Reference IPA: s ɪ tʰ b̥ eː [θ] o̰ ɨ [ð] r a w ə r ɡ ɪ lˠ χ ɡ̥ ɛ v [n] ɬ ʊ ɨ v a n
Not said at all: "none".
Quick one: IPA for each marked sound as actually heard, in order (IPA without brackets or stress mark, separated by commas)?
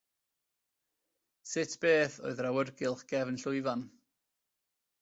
θ, ð, n